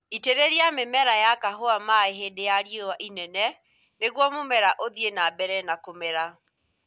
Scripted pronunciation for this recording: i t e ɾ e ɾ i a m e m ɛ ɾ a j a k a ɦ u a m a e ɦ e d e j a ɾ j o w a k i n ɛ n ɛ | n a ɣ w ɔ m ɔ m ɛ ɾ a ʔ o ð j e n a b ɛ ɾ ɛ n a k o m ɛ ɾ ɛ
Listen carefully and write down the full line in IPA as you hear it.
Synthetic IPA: i t e ɾ e ɾ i a m e m ɛ ɾ a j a k a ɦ o a m a e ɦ e d e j a ɾ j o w a ʔ i n ɛ n ɛ | n e ɣ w ɔ m o m ɛ ɾ a ʔ o ð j e n a b ɛ ɾ ɛ n a k o m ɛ ɾ a